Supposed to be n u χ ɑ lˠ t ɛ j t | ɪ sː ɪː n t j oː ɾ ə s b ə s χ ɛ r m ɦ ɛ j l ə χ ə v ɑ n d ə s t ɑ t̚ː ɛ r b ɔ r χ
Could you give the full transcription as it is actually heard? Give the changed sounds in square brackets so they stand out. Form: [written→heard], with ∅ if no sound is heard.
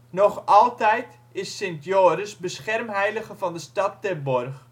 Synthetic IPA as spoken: n [u→ɔ] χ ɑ lˠ t ɛ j t | ɪ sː [ɪː→ɪ] n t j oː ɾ ə s b ə s χ ɛ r m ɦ ɛ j l ə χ ə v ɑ n d ə s t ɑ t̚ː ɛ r b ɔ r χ